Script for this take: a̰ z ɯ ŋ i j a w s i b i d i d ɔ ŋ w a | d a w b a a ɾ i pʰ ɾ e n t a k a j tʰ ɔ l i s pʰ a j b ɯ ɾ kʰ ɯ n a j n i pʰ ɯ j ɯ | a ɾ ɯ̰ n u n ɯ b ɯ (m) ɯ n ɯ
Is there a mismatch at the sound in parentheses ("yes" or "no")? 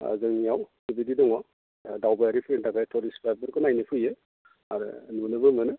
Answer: no